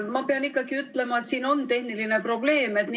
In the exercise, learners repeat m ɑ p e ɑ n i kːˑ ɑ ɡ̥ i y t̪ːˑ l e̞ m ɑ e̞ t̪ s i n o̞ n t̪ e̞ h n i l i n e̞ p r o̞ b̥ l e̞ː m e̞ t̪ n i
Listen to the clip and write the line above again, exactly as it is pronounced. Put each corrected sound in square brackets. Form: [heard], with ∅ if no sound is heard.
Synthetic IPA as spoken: m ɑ p e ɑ n i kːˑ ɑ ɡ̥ i y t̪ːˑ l e̞ m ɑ e̞ t̪ s [iː] n o̞ n t̪ e̞ h n i l i n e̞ p r o̞ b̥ l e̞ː m e̞ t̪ n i